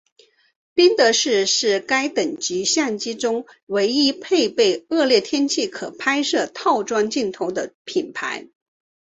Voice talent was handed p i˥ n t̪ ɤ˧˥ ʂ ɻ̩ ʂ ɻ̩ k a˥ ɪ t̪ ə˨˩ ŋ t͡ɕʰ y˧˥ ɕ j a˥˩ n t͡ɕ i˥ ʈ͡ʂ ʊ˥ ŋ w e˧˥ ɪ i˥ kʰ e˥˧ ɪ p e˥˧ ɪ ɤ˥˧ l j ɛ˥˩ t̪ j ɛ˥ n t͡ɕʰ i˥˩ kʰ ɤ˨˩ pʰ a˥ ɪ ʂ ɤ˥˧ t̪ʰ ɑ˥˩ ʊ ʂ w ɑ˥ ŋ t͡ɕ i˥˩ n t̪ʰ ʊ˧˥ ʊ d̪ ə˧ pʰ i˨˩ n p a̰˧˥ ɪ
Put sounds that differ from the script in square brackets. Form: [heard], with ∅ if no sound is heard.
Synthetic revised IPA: p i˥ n t̪ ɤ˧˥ ʂ ɻ̩ ʂ ɻ̩ k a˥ ɪ t̪ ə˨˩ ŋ [t͡ɕ] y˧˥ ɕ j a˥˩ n t͡ɕ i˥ ʈ͡ʂ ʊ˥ ŋ w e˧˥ ɪ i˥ [pʰ] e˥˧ ɪ p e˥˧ ɪ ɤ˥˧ l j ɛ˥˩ [t̪ʰ] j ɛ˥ n t͡ɕʰ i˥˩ kʰ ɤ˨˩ pʰ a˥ ɪ ʂ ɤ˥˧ t̪ʰ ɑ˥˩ ʊ [ʈ͡ʂ] w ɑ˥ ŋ t͡ɕ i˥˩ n t̪ʰ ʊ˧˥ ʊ d̪ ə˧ pʰ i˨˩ n [pʰ] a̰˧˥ ɪ